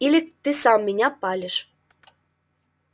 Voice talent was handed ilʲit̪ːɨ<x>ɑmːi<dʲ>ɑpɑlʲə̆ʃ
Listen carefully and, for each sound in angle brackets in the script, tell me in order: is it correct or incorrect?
incorrect: s, incorrect: nʲ

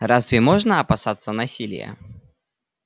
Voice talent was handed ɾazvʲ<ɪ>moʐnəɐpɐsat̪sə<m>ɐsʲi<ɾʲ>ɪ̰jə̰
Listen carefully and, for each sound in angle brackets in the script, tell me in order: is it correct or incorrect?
correct, incorrect: n, incorrect: lʲ

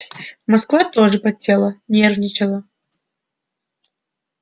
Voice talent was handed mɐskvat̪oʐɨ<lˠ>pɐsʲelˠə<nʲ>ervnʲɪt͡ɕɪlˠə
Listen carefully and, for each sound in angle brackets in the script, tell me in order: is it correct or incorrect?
incorrect: none, correct

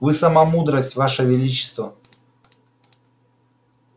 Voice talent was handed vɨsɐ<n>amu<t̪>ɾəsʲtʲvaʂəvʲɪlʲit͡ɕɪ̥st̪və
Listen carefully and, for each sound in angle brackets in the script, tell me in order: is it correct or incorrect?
incorrect: m, incorrect: d̪

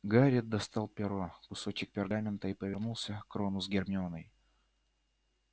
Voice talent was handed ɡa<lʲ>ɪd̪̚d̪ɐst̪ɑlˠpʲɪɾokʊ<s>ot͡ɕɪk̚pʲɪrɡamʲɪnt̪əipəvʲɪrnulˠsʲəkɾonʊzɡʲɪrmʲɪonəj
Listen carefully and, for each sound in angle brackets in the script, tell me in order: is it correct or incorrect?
incorrect: ɾʲ, correct

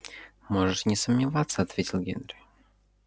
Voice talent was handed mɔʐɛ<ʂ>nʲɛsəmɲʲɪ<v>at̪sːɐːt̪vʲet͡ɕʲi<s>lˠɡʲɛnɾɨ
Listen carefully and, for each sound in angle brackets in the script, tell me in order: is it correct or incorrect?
correct, correct, incorrect: none

